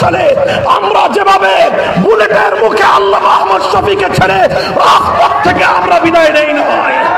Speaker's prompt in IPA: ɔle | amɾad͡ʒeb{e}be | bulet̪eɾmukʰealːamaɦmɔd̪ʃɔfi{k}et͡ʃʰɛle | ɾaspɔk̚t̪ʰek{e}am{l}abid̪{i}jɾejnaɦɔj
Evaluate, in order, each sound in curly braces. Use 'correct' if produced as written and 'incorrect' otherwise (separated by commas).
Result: incorrect, correct, correct, incorrect, incorrect